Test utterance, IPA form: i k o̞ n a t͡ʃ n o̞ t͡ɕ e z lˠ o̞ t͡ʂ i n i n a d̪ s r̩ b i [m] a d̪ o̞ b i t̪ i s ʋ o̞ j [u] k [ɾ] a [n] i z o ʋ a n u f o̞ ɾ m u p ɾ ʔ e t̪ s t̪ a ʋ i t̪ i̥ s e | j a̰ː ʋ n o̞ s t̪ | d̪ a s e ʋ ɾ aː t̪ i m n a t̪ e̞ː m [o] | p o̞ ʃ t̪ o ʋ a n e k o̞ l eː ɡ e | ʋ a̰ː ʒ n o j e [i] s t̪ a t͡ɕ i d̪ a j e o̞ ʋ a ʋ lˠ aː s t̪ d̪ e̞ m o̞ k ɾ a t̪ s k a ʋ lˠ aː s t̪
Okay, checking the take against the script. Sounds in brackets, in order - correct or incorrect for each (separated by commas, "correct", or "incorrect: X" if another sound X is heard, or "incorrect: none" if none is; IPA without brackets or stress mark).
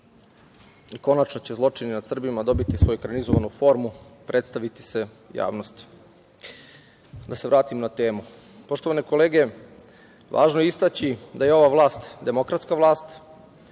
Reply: correct, correct, correct, correct, incorrect: u, correct